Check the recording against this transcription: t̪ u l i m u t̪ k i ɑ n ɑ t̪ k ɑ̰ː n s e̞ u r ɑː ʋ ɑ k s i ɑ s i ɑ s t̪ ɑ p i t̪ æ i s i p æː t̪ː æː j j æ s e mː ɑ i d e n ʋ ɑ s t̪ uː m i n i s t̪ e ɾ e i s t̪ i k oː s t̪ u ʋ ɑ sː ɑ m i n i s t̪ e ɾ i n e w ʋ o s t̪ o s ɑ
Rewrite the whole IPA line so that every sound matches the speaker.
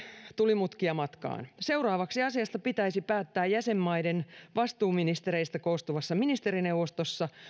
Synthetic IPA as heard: t̪ u l i m u t̪ k i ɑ m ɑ t̪ k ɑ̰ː n s e̞ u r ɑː ʋ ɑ k s i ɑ s i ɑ s t̪ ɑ p i t̪ æ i s i p æː t̪ː æː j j æ s e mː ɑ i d e n ʋ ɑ s t̪ uː m i n i s t̪ e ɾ e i s t̪ æ k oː s t̪ u ʋ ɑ sː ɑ m i n i s t̪ e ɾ i n e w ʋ o s t̪ o sː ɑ